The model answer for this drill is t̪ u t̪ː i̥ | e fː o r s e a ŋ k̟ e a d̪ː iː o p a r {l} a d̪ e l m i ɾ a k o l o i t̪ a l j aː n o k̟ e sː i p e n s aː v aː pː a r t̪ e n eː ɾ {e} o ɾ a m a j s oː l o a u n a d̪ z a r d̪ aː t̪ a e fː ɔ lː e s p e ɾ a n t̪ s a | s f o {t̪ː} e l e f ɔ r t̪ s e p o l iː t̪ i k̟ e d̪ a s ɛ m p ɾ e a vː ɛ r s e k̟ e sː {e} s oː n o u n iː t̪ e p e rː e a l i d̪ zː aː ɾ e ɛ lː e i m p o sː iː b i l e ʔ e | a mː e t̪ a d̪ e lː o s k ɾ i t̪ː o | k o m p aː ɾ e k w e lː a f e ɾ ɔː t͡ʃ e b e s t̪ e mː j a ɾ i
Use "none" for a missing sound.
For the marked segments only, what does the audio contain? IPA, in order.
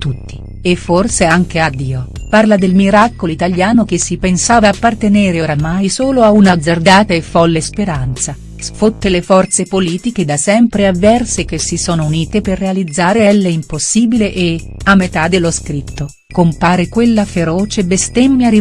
l, e, t̪ː, i

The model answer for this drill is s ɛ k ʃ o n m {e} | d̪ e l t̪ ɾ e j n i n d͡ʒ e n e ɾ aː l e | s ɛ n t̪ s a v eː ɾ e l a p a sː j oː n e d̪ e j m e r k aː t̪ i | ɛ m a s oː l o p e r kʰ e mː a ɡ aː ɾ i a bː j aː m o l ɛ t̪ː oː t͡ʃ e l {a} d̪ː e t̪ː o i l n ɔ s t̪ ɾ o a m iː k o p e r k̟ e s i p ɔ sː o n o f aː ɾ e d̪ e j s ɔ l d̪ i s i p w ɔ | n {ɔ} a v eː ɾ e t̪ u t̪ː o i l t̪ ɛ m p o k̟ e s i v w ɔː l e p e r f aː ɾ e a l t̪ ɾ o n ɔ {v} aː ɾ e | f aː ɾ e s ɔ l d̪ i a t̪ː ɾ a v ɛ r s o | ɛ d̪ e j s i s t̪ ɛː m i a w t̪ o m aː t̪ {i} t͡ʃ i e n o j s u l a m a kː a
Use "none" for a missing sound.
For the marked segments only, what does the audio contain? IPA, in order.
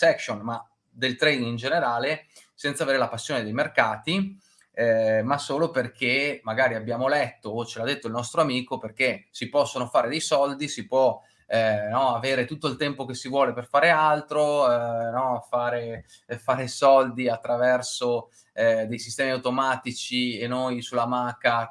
a, a, ɔ, f, i

